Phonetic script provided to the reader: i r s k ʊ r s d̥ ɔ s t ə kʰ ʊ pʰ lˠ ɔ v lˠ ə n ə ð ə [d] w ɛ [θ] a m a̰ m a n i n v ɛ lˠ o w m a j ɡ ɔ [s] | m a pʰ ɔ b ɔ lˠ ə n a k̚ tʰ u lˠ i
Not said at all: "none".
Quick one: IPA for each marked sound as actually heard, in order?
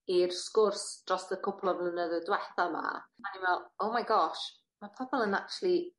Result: d, θ, ʃ

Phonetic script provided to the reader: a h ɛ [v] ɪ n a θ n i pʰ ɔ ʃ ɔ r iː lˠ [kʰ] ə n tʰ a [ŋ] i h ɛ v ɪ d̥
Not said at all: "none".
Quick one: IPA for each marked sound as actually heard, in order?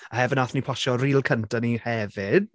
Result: v, kʰ, n

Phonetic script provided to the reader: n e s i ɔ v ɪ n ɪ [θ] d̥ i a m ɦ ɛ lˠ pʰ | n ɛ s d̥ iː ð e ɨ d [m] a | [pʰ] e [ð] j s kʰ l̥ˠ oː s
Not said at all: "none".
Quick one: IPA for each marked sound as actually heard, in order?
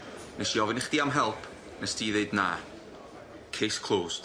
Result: χ, n, kʰ, none

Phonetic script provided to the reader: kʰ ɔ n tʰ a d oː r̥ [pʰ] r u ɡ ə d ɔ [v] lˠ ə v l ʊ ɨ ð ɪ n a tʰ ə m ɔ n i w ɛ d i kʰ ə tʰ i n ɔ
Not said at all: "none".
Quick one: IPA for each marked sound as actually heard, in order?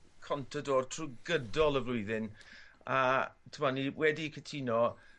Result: tʰ, none

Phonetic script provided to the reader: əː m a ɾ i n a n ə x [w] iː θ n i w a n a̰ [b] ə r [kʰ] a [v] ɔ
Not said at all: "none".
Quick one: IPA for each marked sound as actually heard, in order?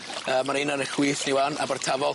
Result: w, b, tʰ, v

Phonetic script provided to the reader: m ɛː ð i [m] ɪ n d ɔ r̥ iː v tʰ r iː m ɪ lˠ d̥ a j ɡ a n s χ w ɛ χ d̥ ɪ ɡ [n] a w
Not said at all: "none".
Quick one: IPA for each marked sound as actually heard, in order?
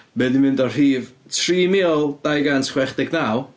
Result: m, n

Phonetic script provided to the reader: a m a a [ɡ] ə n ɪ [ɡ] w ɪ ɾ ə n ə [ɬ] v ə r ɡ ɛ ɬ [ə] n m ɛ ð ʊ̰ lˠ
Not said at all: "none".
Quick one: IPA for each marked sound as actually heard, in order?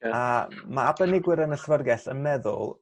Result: b, ɡ, ɬ, ə

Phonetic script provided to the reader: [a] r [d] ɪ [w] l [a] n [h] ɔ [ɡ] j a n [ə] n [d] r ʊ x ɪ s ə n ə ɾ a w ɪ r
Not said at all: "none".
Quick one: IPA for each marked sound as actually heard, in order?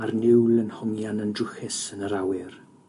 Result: a, n, w, ə, h, ŋ, ə, d

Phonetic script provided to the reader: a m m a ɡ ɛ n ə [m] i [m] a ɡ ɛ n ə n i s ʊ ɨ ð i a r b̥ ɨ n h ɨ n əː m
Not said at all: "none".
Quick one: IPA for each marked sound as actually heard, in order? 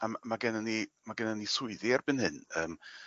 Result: n, m

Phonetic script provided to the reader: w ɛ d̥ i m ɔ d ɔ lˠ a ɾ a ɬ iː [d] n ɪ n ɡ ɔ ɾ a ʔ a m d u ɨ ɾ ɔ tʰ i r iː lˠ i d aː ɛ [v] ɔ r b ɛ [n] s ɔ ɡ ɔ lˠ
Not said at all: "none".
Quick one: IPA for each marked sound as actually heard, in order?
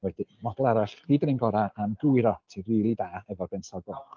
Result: d, v, n

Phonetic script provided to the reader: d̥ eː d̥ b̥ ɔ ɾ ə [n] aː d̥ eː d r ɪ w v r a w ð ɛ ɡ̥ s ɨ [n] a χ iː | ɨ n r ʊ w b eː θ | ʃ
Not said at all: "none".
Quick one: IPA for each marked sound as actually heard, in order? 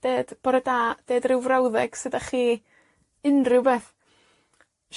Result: d, d

